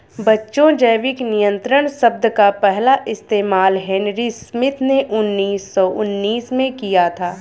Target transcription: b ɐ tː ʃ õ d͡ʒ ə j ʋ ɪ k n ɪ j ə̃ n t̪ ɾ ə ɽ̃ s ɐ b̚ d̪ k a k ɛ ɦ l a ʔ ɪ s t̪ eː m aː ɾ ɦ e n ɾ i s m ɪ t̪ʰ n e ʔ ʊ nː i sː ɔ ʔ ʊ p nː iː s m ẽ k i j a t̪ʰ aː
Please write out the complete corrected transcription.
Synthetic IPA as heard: b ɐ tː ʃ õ d͡ʒ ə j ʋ ɪ k n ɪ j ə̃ n t̪ ɾ ə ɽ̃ s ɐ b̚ d̪ k a p ɛ ɦ l a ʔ ɪ s t̪ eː m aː l ɦ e n ɾ i s m ɪ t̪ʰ n e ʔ ʊ nː iː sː ɔ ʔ ʊ nː iː s m ẽ k i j a t̪ʰ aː